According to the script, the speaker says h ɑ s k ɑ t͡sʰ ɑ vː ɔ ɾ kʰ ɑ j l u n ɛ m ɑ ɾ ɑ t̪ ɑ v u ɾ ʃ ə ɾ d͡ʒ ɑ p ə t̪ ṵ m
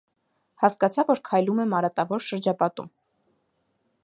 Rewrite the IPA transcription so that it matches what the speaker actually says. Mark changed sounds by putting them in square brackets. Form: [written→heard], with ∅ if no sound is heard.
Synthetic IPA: h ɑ s k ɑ t͡sʰ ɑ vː ɔ ɾ kʰ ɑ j l u [n→m] ɛ m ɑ ɾ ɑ t̪ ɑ v [u→ɔ] ɾ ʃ ə ɾ d͡ʒ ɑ p [ə→ɑ] t̪ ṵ m